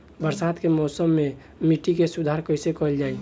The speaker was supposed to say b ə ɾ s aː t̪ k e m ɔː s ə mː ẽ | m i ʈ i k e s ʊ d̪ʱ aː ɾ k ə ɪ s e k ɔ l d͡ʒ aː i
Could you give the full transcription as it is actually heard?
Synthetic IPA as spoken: b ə ɾ s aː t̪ k e m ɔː s ə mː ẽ | m i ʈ i k e s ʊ d̪ʱ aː ɾ k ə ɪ s e k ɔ l d͡ʒ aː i